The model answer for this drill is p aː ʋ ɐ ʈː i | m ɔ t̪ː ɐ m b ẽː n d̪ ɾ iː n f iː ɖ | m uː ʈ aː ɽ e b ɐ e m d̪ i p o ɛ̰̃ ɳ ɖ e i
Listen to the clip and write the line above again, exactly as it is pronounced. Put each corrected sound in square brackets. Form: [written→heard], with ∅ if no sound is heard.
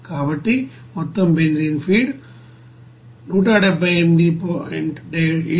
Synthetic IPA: [p→k] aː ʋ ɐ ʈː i | m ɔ t̪ː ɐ m b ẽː n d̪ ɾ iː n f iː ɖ | [m→n] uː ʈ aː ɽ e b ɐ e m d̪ i p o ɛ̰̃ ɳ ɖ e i